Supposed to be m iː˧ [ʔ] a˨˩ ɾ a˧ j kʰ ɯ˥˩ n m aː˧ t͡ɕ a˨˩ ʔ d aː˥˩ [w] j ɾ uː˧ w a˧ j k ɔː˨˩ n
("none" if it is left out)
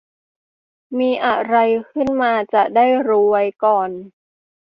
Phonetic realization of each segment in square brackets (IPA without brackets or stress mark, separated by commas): ʔ, none